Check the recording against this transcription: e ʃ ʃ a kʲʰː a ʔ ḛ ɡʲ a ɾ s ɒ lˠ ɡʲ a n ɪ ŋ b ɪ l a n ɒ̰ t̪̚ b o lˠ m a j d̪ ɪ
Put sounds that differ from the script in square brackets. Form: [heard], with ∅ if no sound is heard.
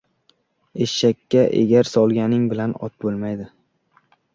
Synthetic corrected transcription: e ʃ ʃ a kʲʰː a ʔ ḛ ɡʲ a ɾ s ɒ lˠ ɡʲ a n ɪ ŋ b ɪ l a n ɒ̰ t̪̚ b o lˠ m a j d̪ ɪ